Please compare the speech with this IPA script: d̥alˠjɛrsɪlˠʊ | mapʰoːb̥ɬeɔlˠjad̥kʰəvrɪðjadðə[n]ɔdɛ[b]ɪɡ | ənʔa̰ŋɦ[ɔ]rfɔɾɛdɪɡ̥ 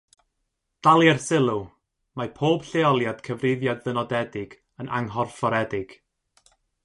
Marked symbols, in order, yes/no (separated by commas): yes, no, yes